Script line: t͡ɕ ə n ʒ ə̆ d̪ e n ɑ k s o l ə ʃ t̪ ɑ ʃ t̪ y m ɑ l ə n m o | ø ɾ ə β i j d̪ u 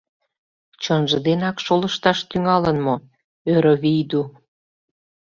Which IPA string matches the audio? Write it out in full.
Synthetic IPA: t͡ɕ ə n ʒ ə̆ d̪ e n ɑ k ʃ o l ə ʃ t̪ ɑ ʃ t̪ y ŋ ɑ l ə n m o | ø ɾ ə β i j d̪ u